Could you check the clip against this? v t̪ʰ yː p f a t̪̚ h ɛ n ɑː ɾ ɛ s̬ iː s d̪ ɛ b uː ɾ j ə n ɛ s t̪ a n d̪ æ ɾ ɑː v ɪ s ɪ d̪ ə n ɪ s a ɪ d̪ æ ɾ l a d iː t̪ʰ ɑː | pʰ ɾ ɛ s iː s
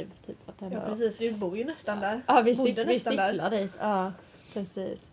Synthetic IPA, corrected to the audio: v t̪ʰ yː p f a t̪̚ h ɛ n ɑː ɾ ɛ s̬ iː s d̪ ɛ b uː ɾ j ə n ɛ s t̪ a n d̪ æ ɾ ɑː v ɪ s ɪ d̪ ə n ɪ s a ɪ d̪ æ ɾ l a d iː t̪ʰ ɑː | pʰ ɾ ɛ s iː s